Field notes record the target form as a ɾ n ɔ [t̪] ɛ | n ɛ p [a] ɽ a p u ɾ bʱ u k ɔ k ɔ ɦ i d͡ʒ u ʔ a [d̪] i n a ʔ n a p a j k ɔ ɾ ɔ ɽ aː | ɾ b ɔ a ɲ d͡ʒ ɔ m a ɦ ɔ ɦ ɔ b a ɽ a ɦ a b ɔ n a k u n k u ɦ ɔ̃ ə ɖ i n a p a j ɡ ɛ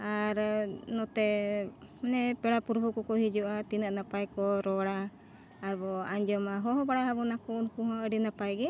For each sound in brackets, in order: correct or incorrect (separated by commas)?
correct, incorrect, incorrect